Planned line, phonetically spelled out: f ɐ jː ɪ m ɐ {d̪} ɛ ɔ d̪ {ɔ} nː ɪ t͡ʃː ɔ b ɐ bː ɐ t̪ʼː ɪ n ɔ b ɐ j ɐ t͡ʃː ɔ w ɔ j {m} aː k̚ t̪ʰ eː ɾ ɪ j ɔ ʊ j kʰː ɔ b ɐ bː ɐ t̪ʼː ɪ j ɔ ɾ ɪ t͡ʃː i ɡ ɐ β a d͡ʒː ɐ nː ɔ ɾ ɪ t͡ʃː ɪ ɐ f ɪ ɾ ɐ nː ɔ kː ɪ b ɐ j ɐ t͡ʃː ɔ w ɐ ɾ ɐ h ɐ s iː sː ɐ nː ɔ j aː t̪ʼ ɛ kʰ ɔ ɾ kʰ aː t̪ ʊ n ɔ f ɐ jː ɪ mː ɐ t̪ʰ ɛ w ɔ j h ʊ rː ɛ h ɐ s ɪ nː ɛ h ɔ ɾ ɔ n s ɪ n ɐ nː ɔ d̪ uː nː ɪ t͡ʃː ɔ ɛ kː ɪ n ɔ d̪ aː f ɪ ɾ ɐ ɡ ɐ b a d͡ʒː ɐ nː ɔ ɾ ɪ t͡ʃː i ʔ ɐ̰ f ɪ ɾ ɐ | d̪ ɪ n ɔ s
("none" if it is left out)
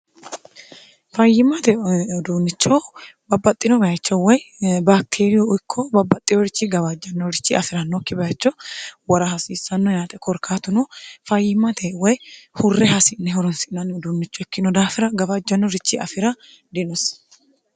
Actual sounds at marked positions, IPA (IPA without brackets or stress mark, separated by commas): t̪, u, b